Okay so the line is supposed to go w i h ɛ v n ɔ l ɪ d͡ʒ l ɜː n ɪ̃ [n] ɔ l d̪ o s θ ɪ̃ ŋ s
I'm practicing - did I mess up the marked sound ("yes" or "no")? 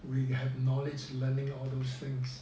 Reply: yes